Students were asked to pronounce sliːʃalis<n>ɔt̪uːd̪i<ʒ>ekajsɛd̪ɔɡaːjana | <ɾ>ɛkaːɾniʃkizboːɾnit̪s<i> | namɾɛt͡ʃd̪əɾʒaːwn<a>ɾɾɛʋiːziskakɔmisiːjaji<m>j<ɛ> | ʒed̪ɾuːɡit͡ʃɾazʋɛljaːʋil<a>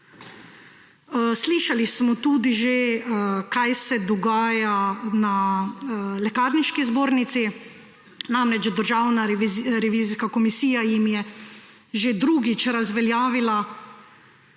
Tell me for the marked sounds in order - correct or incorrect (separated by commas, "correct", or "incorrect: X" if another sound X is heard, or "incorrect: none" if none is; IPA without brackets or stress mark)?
incorrect: m, correct, incorrect: l, correct, correct, correct, correct, correct